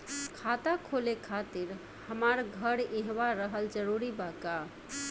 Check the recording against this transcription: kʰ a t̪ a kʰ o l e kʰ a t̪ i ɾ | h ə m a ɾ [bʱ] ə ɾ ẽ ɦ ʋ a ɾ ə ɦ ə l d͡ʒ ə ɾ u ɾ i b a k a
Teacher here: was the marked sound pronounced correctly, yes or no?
no